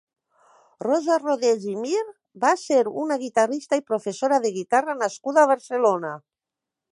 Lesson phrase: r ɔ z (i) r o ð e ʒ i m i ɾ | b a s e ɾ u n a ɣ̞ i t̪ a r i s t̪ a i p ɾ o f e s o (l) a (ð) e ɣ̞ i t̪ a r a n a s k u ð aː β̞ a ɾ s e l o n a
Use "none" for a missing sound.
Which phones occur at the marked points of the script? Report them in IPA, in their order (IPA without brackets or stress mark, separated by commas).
a, ɾ, ð